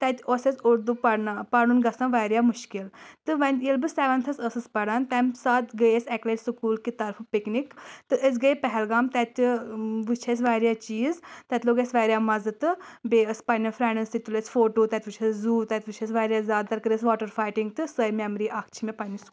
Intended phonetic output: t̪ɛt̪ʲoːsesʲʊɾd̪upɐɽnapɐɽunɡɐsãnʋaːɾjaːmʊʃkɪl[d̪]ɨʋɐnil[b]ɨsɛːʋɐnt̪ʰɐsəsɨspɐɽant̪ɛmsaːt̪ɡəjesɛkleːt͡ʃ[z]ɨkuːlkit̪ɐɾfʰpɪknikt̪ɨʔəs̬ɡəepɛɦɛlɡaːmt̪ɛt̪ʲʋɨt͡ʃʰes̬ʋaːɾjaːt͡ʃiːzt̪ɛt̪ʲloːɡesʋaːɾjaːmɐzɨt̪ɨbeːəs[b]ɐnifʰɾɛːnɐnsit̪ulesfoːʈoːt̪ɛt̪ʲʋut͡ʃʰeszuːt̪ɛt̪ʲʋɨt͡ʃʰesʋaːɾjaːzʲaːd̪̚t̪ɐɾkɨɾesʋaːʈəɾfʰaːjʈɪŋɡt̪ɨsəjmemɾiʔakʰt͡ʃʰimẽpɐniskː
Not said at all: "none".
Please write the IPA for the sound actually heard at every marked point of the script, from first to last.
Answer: t̪, b, s, p

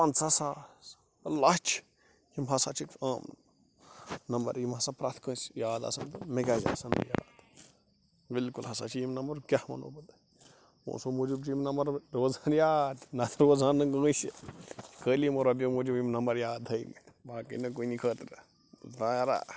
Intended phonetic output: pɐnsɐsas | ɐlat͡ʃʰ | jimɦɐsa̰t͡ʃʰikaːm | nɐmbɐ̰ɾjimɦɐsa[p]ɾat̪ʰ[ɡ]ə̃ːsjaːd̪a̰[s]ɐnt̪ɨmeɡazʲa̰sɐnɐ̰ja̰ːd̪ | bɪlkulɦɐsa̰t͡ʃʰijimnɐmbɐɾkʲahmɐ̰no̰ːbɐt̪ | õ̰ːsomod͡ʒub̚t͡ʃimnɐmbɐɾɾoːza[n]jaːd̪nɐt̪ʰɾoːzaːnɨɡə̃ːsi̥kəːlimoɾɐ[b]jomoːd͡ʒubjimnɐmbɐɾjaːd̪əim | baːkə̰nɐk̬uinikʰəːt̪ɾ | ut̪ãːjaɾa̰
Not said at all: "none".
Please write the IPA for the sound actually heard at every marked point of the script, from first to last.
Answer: p, k, s, n, b

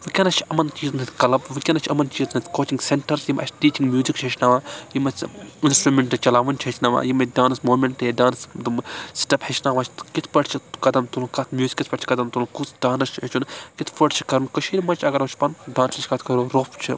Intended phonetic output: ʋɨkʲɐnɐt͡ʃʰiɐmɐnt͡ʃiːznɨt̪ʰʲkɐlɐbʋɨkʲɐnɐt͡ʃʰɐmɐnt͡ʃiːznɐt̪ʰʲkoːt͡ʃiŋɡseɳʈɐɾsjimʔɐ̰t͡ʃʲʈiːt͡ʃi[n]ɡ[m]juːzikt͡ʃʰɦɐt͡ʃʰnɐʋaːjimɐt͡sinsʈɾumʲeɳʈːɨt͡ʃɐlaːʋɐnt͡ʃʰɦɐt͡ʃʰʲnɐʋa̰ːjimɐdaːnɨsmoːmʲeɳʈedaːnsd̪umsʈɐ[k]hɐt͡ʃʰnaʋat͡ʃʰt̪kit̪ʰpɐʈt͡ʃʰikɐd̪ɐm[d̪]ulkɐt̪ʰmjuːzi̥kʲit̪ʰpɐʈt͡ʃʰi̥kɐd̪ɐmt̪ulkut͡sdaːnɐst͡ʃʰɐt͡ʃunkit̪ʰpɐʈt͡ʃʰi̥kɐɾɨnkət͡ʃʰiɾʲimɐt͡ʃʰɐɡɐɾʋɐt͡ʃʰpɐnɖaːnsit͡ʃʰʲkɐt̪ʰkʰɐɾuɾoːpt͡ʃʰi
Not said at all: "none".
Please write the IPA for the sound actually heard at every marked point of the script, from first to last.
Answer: ŋ, m, p, t̪

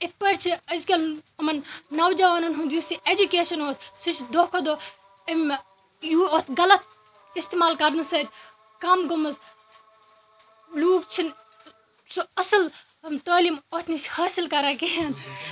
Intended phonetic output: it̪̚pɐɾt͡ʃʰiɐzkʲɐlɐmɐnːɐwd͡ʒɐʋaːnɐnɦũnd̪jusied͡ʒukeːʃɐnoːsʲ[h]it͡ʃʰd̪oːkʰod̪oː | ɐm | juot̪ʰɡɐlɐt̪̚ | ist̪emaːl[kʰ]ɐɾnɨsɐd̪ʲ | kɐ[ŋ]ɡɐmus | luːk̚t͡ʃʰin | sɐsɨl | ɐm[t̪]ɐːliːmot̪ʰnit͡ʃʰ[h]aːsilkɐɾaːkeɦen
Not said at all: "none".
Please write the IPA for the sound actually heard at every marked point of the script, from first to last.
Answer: s, k, m, t̪, h

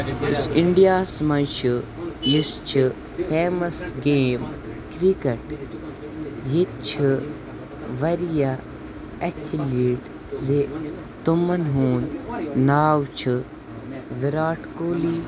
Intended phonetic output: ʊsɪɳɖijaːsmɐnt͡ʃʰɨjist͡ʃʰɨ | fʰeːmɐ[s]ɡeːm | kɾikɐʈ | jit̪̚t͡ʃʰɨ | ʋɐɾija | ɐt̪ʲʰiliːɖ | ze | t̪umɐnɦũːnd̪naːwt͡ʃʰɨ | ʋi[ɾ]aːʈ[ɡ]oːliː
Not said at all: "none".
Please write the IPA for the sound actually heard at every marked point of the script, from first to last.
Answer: s, ɾ, k

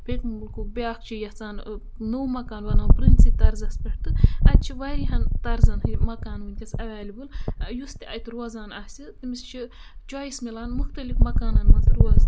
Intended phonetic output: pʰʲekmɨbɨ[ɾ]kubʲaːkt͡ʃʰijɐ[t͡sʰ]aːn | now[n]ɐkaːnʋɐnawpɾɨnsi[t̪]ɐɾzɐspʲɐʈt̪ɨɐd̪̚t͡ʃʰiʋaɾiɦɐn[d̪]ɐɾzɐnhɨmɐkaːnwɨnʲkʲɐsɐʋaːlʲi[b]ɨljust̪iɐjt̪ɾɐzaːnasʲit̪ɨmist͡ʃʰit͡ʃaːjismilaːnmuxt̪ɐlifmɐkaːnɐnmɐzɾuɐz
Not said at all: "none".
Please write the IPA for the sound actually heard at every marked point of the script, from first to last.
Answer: l, t͡s, m, t̪, t̪, b

